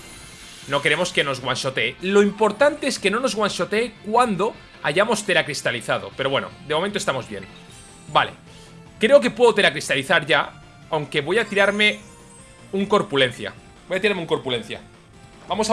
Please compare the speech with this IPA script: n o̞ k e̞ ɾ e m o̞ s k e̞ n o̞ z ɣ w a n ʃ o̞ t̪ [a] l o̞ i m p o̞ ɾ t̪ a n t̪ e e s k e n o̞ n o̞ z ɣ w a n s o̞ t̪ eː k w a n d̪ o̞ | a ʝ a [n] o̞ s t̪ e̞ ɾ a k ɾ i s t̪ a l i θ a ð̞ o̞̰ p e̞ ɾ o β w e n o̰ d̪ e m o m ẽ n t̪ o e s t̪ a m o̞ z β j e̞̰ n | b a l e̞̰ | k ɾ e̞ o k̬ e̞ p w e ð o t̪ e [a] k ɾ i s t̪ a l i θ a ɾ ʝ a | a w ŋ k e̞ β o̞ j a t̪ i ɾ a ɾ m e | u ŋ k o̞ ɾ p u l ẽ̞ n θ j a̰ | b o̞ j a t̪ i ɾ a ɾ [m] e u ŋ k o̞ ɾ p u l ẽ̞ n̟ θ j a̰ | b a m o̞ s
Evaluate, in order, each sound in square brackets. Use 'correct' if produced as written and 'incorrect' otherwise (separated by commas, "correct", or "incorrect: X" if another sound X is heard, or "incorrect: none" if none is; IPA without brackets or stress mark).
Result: incorrect: e, incorrect: m, correct, correct